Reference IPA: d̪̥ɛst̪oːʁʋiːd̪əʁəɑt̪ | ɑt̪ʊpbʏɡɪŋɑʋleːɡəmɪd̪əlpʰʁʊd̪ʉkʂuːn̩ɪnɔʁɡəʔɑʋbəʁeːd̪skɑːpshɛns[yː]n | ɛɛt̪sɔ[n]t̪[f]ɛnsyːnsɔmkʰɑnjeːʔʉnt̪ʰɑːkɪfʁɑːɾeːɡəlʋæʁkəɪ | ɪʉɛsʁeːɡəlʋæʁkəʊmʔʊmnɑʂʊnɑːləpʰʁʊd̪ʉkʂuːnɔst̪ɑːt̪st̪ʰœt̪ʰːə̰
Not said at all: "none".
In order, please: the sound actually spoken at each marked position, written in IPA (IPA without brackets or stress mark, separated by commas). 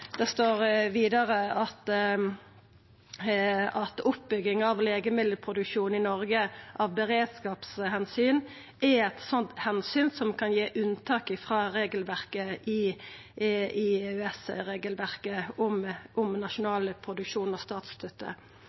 yː, n, h